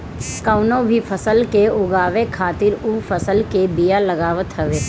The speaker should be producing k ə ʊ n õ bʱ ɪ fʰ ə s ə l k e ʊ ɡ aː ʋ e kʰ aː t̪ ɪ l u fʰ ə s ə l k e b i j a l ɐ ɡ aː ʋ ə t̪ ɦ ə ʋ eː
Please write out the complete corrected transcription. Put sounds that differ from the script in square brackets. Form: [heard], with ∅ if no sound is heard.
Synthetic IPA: k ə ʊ n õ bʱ [i] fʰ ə s ə l k e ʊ ɡ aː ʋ e kʰ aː t̪ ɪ [ɾ] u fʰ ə s ə l k e b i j a l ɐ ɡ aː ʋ ə t̪ ɦ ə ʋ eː